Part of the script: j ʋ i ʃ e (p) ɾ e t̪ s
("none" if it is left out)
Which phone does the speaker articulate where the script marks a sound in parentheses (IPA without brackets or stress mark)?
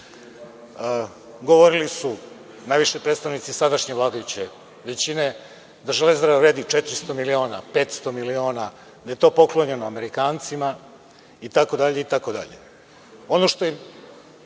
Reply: p